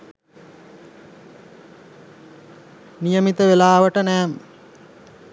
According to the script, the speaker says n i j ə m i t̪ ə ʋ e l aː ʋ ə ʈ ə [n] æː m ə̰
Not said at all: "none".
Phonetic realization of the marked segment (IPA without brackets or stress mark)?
n